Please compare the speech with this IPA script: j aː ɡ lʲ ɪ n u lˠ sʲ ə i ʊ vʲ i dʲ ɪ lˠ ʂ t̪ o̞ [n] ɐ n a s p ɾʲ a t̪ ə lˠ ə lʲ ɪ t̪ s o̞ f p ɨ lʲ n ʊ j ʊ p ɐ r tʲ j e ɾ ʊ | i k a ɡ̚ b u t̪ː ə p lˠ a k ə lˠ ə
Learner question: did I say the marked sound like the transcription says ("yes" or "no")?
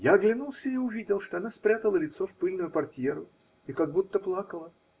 no